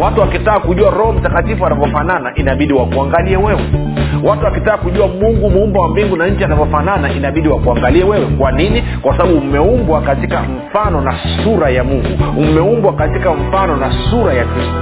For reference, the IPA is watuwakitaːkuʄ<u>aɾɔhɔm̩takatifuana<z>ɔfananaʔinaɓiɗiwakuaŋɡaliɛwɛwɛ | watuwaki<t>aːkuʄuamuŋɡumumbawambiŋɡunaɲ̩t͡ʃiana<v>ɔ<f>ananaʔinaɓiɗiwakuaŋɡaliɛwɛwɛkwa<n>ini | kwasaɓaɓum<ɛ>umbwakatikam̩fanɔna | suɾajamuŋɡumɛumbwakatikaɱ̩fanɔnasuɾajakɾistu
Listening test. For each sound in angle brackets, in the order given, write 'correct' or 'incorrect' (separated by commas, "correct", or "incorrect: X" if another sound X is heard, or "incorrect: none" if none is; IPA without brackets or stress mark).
correct, incorrect: v, correct, correct, correct, correct, correct